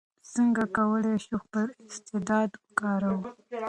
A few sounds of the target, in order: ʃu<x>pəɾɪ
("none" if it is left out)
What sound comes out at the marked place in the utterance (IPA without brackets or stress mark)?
x